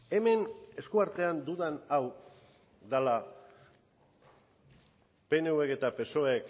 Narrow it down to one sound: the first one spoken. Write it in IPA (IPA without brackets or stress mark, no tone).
e̞